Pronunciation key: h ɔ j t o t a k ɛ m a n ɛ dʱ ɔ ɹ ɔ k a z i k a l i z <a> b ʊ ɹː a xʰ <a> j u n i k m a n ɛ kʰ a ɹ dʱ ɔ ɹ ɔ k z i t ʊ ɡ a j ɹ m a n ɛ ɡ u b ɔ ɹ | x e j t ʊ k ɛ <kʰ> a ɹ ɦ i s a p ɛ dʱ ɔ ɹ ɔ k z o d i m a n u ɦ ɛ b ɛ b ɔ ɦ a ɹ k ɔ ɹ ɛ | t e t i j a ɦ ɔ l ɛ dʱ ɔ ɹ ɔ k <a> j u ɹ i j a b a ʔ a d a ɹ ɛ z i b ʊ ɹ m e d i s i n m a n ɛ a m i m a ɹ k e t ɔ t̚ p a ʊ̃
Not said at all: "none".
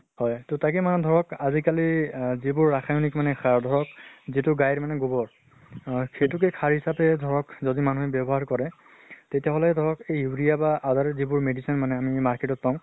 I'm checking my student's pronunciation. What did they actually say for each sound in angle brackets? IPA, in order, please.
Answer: i, a, kʰ, e

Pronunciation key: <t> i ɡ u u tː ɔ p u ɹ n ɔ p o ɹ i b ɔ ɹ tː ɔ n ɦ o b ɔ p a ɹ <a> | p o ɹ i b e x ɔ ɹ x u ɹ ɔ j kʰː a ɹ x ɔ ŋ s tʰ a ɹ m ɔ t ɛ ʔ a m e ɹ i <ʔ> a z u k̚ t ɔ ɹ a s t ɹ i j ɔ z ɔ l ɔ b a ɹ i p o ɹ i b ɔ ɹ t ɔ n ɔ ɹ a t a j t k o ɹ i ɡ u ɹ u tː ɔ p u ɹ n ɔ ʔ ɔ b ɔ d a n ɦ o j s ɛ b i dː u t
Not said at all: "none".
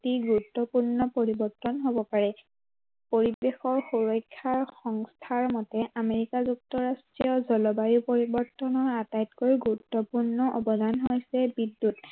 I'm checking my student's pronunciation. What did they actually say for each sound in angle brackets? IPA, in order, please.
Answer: t, ɛ, k

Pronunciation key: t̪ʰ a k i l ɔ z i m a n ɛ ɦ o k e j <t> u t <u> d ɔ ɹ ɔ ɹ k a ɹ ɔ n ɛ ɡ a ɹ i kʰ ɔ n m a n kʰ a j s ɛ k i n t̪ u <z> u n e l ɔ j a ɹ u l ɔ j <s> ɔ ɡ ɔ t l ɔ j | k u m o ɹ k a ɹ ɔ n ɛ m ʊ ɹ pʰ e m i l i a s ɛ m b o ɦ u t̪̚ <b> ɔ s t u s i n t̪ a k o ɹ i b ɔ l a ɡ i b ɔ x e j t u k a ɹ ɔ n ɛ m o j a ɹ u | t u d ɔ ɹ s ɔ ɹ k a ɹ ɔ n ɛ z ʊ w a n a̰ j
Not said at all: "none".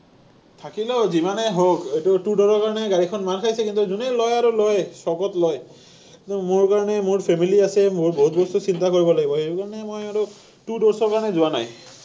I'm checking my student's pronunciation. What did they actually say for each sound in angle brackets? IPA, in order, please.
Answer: t, u, z, s, b

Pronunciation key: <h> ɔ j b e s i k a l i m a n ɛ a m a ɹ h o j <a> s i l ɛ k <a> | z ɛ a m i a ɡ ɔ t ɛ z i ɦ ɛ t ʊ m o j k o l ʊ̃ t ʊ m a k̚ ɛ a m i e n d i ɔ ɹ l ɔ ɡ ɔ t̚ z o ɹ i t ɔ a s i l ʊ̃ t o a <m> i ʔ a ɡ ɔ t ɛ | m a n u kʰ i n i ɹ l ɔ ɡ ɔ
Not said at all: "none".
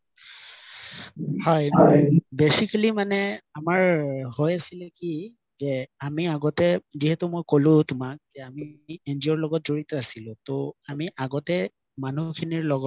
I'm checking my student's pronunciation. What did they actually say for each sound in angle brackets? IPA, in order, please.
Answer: h, a, i, m

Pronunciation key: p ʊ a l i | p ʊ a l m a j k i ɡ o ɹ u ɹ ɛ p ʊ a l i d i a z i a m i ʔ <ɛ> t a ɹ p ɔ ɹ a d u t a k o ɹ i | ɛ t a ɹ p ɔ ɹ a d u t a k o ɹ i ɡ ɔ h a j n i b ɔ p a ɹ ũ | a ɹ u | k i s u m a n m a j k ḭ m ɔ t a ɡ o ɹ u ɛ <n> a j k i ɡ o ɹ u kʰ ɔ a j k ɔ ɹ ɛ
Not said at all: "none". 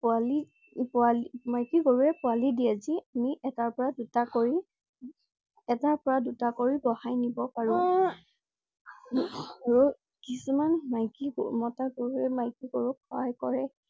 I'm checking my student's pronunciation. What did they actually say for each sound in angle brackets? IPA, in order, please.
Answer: ɛ, m

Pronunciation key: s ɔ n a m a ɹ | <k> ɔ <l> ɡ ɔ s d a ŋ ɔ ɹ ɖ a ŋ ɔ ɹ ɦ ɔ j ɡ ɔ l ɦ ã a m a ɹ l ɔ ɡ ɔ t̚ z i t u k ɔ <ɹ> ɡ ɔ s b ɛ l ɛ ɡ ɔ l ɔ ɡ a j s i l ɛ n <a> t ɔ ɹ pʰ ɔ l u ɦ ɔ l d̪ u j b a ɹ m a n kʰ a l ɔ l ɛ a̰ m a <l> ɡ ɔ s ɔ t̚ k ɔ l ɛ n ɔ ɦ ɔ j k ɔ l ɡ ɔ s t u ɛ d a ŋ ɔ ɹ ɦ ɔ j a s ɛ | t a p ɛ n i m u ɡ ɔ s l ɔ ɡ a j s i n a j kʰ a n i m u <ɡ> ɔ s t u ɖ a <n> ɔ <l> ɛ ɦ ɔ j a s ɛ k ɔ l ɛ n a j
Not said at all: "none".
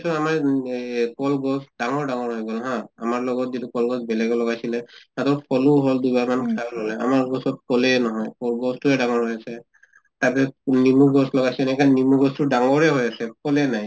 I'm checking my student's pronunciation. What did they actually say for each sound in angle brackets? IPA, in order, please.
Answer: k, l, l, a, ɹ, ɡ, ŋ, ɹ

